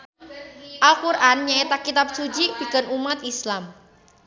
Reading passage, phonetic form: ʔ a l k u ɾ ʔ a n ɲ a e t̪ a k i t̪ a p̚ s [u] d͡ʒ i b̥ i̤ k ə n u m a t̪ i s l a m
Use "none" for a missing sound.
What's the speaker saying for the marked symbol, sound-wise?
u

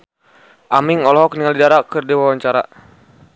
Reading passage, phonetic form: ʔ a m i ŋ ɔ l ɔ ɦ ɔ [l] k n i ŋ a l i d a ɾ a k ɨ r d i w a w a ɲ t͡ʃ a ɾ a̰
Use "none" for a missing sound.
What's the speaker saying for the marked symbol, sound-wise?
none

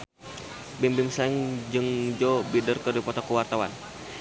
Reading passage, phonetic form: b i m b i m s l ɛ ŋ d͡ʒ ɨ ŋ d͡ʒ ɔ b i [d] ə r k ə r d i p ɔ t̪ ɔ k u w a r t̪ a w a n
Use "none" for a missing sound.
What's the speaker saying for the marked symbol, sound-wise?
d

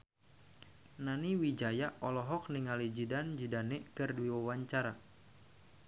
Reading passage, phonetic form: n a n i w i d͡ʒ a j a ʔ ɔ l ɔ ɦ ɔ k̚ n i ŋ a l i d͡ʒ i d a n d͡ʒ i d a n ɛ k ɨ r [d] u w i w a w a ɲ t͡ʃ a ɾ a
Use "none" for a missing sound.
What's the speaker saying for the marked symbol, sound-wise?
d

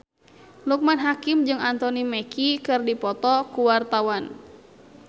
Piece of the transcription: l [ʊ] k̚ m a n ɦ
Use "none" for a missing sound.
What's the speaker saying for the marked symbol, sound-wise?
u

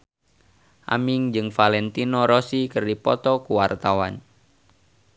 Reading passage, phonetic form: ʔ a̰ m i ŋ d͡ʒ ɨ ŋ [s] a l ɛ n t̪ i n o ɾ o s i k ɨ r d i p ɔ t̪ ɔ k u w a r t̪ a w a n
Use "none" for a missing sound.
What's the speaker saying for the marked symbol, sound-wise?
f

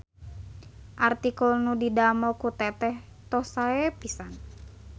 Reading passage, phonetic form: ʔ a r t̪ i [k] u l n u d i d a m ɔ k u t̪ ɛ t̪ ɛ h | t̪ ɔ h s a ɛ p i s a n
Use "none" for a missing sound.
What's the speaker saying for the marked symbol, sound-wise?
k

